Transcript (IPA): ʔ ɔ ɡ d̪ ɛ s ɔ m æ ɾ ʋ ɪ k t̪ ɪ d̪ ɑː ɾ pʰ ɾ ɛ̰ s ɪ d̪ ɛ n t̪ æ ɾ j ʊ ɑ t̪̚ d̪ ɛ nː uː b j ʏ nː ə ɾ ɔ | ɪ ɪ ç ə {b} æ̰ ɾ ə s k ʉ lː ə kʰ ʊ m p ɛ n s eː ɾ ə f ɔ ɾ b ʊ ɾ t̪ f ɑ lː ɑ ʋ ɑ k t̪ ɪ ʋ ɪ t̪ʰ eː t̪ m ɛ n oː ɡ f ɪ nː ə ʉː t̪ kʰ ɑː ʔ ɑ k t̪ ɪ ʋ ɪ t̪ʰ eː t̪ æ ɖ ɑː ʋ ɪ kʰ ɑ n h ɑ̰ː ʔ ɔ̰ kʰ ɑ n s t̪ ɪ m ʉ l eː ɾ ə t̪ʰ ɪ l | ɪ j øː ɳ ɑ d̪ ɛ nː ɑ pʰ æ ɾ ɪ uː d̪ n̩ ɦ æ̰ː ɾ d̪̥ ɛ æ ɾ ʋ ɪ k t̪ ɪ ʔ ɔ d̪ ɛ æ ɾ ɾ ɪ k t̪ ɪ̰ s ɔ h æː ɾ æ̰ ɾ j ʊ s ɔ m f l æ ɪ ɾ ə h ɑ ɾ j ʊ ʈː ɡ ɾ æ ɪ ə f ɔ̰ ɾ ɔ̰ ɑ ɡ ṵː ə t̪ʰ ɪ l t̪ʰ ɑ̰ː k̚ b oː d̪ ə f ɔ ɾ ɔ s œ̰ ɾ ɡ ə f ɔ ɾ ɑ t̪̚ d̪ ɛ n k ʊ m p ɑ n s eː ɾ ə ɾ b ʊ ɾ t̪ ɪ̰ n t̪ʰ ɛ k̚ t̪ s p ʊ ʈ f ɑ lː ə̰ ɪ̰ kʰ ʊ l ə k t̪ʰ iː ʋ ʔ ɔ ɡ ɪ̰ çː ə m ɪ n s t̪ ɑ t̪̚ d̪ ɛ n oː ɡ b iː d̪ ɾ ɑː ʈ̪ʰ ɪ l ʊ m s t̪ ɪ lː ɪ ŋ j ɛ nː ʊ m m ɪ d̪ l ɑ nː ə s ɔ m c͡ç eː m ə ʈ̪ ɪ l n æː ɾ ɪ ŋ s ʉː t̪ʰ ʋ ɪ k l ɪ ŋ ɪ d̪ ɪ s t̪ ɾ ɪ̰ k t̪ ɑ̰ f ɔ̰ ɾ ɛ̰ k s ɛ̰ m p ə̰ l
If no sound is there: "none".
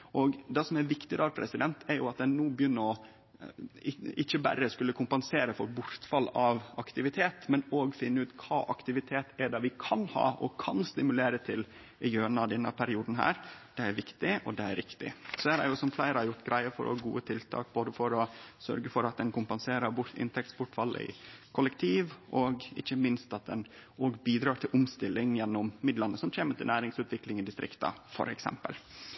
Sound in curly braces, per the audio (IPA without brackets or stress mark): b